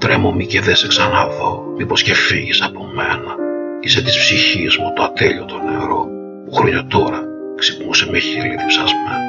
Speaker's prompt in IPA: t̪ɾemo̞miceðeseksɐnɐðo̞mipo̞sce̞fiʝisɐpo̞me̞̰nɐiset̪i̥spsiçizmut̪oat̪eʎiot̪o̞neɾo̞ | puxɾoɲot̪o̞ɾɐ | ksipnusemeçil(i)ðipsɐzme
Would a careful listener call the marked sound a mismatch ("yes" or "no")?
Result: no